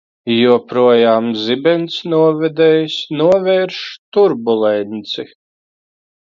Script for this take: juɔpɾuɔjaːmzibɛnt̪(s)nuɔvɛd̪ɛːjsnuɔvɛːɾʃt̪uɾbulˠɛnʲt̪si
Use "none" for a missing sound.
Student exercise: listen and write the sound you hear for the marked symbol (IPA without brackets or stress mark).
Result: s